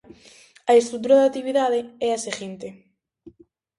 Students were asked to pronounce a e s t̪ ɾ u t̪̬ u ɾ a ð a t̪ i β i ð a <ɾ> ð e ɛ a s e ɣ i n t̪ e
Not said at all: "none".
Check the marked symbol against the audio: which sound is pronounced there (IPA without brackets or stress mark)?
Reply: none